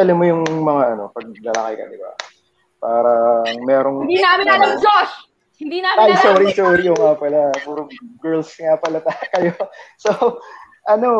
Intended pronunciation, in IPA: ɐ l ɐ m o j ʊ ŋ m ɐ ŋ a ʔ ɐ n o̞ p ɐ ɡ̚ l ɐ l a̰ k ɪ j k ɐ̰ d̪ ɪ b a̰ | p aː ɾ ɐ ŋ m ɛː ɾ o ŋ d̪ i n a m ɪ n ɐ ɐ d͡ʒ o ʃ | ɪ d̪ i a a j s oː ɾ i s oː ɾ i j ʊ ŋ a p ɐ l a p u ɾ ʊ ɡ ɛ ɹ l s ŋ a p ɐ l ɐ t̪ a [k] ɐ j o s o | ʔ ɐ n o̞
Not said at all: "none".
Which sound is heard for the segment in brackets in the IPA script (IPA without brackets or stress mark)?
k